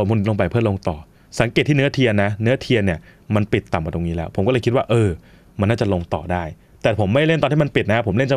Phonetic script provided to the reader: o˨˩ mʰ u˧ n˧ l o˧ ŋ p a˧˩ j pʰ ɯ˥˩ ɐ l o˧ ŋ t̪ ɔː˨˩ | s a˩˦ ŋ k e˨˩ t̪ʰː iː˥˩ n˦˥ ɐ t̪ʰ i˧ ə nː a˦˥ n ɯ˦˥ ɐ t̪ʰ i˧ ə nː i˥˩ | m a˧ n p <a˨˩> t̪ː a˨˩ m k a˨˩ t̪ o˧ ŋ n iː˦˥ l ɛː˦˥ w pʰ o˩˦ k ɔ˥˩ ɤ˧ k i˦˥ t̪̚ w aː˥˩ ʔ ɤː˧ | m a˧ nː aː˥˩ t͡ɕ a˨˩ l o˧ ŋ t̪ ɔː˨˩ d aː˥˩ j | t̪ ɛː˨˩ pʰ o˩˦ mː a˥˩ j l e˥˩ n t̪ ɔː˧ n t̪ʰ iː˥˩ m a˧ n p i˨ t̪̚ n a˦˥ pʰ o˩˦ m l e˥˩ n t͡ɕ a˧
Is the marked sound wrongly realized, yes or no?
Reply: yes